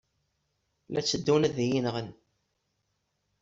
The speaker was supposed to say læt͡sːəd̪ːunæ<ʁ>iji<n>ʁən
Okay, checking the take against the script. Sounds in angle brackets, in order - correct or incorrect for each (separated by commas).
incorrect, correct